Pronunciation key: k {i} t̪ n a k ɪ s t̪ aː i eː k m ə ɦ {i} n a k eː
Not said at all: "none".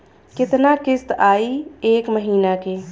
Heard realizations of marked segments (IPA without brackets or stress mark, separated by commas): ɪ, iː